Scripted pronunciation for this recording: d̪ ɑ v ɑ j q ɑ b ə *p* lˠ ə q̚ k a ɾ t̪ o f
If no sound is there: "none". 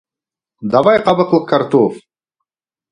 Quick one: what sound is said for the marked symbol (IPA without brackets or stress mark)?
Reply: q